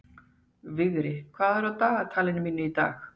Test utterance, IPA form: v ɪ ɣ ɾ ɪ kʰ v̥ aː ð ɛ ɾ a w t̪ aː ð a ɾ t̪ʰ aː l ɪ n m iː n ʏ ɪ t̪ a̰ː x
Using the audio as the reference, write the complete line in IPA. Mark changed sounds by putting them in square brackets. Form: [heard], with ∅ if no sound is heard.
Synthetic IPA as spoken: v ɪ ɣ ɾ ɪ kʰ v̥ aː ð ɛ ɾ a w t̪ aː [ɣ] a [∅] t̪ʰ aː l ɪ n m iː n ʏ [i] t̪ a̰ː x